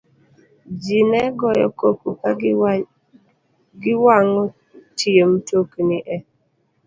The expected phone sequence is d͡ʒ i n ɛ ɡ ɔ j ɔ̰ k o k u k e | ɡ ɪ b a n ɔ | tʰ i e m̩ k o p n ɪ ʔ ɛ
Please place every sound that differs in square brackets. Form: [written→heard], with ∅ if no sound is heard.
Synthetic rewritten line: d͡ʒ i n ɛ ɡ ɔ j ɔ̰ k o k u k [e→a] | ɡ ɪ [b→w] a [n→ŋ] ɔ | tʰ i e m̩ [k→t] o [p→k] n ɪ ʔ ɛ

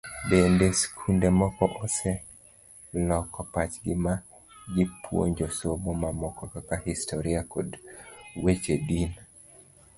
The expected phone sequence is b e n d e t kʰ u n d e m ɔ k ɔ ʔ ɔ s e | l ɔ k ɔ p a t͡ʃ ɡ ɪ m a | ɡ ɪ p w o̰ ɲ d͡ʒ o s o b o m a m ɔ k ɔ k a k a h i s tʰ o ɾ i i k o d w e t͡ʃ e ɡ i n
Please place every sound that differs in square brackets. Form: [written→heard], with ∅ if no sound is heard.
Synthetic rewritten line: b e n d e [t→s] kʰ u n d e m ɔ k ɔ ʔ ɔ s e | l ɔ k ɔ p a t͡ʃ ɡ ɪ m a | ɡ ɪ p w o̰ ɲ d͡ʒ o s o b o m a m ɔ k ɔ k a k a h i s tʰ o ɾ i [i→a] k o d w e t͡ʃ e [ɡ→d] i n

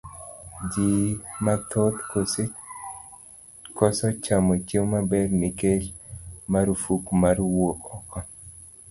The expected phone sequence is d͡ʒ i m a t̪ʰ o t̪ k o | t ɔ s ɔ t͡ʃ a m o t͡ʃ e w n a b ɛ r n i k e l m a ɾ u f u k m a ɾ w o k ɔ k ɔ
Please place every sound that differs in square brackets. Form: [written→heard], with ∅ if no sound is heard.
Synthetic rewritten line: d͡ʒ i m a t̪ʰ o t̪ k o | [t→k] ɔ s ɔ t͡ʃ a m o t͡ʃ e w [n→m] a b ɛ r n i k e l m a ɾ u f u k m a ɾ w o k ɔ k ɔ

